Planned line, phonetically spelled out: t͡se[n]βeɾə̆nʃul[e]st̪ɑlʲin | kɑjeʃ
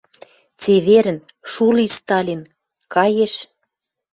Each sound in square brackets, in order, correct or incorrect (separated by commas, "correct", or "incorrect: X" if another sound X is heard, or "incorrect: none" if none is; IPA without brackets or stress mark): incorrect: none, incorrect: i